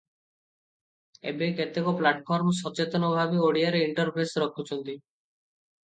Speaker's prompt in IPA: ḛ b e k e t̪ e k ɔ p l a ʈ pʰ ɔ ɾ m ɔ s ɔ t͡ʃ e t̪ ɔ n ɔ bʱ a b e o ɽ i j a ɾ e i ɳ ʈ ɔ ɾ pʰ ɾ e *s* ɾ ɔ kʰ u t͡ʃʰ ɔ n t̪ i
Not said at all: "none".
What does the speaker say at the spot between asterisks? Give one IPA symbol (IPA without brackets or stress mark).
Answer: s